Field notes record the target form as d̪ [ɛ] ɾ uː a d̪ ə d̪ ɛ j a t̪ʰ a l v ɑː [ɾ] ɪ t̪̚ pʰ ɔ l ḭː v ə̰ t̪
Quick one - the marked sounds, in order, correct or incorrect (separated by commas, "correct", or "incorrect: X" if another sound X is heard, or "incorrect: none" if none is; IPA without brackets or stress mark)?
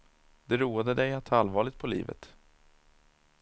correct, incorrect: ɭ